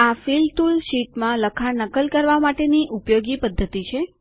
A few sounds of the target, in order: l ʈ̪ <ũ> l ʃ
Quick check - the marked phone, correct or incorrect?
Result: incorrect